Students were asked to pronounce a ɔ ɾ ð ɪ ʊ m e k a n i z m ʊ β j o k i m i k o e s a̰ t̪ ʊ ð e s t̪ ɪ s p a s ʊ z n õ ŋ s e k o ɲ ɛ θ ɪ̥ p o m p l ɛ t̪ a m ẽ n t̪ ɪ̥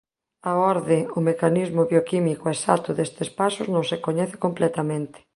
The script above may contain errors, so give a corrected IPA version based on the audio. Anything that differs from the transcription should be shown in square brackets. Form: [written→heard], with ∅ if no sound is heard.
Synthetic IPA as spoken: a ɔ ɾ ð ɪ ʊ m e k a n i z m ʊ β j o k i m i k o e s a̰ t̪ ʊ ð e s t̪ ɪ s p a s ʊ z n õ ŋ s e k o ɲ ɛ θ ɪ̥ [p→k] o m p l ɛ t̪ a m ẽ n t̪ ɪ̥